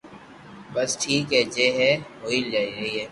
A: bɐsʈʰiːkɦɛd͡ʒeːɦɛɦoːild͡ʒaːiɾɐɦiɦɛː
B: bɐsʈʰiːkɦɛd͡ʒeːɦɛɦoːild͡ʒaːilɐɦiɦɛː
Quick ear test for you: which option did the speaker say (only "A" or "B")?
A